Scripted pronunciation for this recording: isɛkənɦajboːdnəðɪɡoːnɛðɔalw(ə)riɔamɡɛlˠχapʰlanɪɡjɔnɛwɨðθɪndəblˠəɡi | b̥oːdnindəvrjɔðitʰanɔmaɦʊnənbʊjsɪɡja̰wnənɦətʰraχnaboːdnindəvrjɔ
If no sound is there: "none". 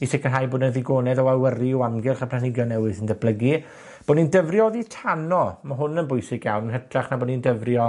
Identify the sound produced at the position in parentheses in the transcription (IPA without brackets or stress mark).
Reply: ə